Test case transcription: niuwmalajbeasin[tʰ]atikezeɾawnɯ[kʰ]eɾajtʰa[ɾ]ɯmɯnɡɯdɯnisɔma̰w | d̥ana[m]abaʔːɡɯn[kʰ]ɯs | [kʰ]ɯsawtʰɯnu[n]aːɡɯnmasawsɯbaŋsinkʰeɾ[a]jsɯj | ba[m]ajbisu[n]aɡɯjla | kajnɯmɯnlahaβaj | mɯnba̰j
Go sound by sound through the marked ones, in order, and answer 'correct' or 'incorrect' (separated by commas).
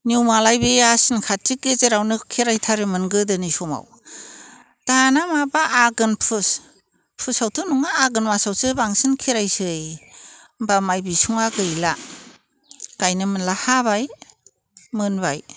incorrect, correct, correct, correct, incorrect, incorrect, incorrect, correct, correct, incorrect